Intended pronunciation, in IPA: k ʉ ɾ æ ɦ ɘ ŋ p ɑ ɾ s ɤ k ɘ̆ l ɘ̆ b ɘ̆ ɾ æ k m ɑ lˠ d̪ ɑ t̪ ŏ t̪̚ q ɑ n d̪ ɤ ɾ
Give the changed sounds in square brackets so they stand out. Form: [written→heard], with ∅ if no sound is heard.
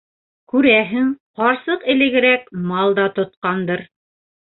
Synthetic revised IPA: k ʉ ɾ æ ɦ ɘ ŋ [p→q] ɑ ɾ s ɤ [k→q] ɘ̆ l ɘ̆ [b→ɡ] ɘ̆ ɾ æ k m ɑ lˠ d̪ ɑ t̪ ŏ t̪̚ q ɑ n d̪ ɤ ɾ